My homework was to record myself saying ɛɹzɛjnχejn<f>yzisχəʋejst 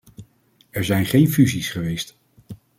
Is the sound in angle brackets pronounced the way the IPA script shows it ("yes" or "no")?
yes